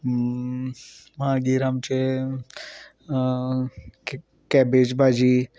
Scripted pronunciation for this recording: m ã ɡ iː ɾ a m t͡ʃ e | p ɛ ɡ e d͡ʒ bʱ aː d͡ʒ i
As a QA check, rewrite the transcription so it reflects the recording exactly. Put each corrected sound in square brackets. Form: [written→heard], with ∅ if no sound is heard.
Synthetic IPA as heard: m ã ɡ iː ɾ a m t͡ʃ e | [p→k] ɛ [ɡ→b] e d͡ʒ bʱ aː d͡ʒ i